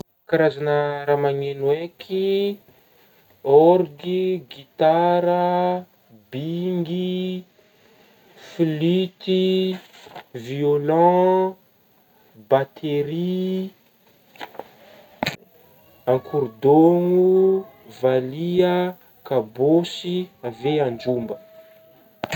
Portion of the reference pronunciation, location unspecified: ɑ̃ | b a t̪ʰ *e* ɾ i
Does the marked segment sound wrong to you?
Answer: no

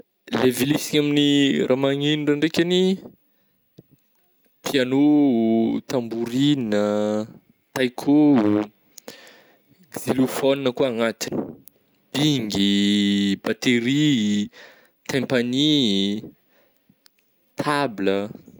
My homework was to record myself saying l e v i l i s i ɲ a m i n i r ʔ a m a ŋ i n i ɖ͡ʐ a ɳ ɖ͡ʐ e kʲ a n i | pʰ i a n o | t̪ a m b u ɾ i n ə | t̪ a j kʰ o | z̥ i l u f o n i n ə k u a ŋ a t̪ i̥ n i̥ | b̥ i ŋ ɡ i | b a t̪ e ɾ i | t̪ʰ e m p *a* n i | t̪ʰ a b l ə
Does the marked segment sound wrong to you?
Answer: no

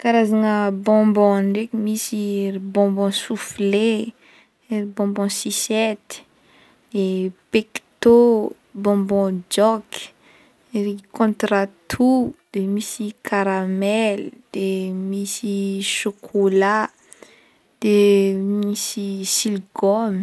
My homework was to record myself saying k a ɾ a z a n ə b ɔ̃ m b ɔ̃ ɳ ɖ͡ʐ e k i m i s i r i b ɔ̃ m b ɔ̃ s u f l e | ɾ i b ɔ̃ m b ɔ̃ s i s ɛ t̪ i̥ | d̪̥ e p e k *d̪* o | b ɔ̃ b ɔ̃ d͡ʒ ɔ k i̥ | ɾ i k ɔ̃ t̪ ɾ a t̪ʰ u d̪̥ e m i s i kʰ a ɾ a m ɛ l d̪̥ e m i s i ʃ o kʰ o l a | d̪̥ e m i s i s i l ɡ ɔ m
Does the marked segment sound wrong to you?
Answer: yes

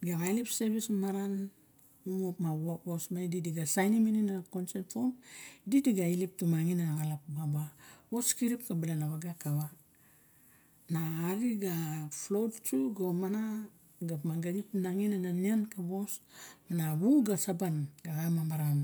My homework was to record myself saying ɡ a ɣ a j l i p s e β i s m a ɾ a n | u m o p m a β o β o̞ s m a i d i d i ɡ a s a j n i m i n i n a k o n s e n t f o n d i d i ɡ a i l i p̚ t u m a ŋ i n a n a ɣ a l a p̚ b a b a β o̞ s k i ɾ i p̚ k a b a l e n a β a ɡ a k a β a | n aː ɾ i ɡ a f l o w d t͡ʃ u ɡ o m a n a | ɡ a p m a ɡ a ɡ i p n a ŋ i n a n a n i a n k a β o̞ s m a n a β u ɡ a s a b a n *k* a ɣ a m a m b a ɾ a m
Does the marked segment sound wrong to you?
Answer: yes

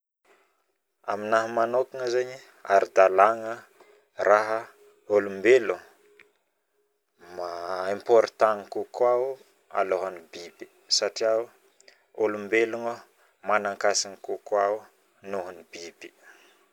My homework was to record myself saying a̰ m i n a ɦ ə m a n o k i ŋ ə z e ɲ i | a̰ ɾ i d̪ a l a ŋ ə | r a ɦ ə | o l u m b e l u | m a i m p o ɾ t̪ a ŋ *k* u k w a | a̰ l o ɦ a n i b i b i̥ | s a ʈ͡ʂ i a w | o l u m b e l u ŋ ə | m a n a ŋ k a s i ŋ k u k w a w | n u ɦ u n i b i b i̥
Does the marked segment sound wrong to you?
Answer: no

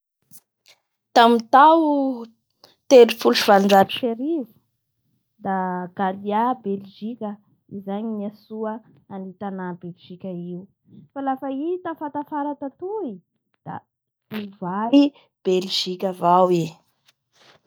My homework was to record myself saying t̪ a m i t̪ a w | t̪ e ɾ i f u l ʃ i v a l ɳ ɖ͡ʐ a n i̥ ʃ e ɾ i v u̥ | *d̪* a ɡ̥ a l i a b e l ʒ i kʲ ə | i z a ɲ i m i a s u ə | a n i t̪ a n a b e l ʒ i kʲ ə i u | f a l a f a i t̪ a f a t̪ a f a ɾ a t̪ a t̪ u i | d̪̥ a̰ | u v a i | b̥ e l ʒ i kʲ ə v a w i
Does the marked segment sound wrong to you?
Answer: no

